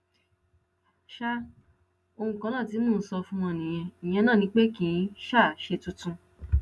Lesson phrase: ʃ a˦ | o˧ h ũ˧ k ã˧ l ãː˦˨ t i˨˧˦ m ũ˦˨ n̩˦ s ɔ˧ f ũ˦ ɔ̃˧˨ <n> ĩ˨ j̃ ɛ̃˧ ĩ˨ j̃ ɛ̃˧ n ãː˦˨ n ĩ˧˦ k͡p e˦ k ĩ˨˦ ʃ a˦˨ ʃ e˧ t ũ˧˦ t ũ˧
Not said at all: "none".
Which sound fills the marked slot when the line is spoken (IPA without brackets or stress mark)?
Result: n